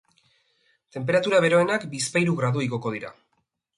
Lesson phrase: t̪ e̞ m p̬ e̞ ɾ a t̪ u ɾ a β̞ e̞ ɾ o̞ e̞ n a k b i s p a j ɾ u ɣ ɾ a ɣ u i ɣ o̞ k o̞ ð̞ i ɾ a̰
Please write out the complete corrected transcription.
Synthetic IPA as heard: t̪ e̞ m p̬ e̞ ɾ a t̪ u ɾ a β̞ e̞ ɾ o̞ e̞ n a k b i s p a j ɾ u ɣ ɾ a ð u i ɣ o̞ k o̞ ð̞ i ɾ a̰

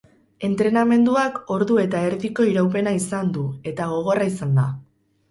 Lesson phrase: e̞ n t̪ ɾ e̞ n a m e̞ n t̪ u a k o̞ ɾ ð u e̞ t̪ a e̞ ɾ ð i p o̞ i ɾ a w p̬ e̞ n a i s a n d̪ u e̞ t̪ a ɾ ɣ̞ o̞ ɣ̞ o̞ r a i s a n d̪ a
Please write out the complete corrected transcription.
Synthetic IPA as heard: e̞ n t̪ ɾ e̞ n a m e̞ n d̪ u a k o̞ ɾ ð u e̞ t̪ a e̞ ɾ ð i k o̞ i ɾ a w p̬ e̞ n a i s a n d̪ u e̞ t̪ a ɣ̞ o̞ ɣ̞ o̞ r a i s a n d̪ a

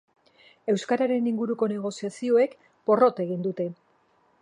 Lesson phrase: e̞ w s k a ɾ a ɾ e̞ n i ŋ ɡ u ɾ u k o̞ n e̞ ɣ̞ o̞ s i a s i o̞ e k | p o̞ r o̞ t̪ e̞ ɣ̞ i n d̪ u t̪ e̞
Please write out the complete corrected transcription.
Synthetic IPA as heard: e̞ w s k a ɾ a ɾ e̞ n i ŋ ɡ u ɾ u k o̞ n e̞ ɣ̞ o̞ s i a s i o̞ e k | p o̞ r o̞ t̪ e̞ ɣ̞ i n d̪ u t̪ e̞

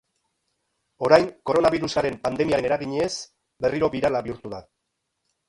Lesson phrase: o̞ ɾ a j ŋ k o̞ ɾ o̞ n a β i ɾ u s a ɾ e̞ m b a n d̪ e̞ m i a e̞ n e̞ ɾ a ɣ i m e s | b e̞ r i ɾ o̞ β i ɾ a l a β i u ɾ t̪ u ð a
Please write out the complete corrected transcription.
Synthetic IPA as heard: o̞ ɾ a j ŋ k o̞ ɾ o̞ n a β i ɾ u s a ɾ e̞ m p a n d̪ e̞ m i a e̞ n e̞ ɾ a ɣ i ɲ e s | b e̞ r i ɾ o̞ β i ɾ a l a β i u ɾ t̪ u ð a

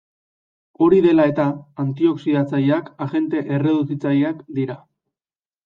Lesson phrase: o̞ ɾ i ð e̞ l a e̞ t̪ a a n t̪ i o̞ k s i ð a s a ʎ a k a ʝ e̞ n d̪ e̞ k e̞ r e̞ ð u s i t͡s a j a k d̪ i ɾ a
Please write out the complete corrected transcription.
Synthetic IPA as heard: o̞ ɾ i ð e̞ l a e̞ t̪ a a n t̪ i o̞ k s i ð a t͡s a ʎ a k a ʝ e̞ n t̪ e̞ ʔ e̞ r e̞ ð u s i t͡s a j a k d̪ i ɾ a

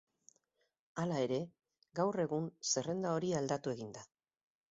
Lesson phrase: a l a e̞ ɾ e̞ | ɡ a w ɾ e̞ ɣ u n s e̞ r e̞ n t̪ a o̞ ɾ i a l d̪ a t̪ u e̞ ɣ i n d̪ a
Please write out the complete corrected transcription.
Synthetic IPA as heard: a l a e̞ ɾ e̞ | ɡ a w r e̞ ɣ u n s e̞ r e̞ n d̪ a o̞ ɾ i a l d̪ a t̪ u e̞ ɣ i n d̪ a

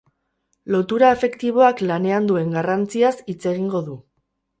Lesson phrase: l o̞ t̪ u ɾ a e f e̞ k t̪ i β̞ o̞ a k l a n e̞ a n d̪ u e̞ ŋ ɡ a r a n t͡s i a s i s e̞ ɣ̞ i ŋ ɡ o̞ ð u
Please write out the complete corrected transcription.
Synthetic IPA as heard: l o̞ t̪ u ɾ a e f e̞ k t̪ i β̞ o̞ a k l a n e̞ a n d̪ u e̞ ŋ ɡ a r a n t͡s i a s i t͡s e̞ ɣ̞ i ŋ ɡ o̞ ð u

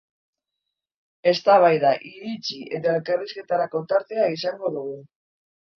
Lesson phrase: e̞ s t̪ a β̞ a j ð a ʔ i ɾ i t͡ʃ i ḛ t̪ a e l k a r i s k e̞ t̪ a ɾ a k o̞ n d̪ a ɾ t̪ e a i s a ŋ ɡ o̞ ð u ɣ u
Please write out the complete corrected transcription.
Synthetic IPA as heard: e̞ s t̪ a β̞ a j ð a ʔ i ɾ i t͡ʃ i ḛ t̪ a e l k a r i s k e̞ t̪ a ɾ a k o̞ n t̪ a ɾ t̪ e a i s a ŋ ɡ o̞ ð u ɣ u

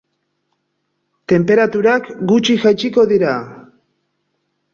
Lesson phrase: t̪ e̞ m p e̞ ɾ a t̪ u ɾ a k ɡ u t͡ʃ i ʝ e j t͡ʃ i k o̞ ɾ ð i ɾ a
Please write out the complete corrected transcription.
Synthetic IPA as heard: t̪ e̞ m p e̞ ɾ a t̪ u ɾ a k ɡ u t͡ʃ i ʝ a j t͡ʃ i k o̞ ð i ɾ a

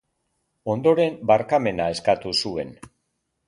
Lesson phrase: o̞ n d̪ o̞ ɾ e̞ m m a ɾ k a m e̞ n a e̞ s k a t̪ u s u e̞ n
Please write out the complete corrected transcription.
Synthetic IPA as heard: o̞ n d̪ o̞ ɾ e̞ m b a ɾ k a m e̞ n a e̞ s k a t̪ u s u e̞ n

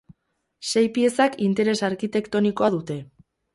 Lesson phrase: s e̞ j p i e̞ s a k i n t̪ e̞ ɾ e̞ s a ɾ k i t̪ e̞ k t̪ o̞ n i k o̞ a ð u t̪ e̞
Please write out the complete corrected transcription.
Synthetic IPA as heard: s e̞ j p i e̞ s a k i n t̪ e̞ ɾ e̞ s a ɾ k i t̪ e̞ k t̪ o̞ n i k o̞ a ð u t̪ e̞

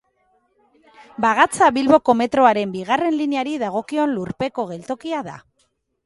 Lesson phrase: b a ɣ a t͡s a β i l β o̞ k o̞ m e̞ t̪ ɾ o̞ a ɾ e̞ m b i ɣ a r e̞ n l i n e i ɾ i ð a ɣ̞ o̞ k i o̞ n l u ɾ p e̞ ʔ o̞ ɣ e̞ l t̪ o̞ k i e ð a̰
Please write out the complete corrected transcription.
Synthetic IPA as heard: b a ɣ a t͡s a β i l β o̞ k o̞ m e̞ t̪ ɾ o̞ a ɾ e̞ m b i ɣ a r e̞ n l i n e a ɾ i ð a ɣ̞ o̞ k i o̞ n l u ɾ p e̞ k o̞ ɣ e̞ l t̪ o̞ k i a ð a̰

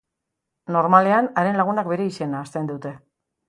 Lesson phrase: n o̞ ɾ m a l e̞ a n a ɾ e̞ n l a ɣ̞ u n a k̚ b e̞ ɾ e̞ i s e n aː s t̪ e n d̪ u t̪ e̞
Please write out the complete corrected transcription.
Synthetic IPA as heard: n o̞ ɾ m a l e̞ a n a ɾ e̞ n l a ɣ̞ u n a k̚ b e̞ ɾ e̞ i s e n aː s t̪ e n d̪ u t̪ e̞

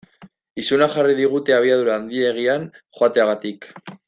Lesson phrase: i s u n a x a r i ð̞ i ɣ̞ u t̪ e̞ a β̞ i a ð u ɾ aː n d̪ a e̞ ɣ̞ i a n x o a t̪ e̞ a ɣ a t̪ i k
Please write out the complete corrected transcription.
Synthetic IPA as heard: i s u n a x a r i ð̞ i ɣ̞ u t̪ e̞ a β̞ i a ð u ɾ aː n d̪ i e̞ ɣ̞ i a n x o a t̪ e̞ a ɣ a t̪ i k

